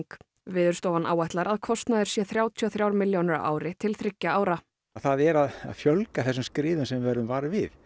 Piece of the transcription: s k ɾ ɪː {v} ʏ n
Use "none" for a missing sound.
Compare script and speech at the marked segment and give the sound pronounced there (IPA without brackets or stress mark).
ð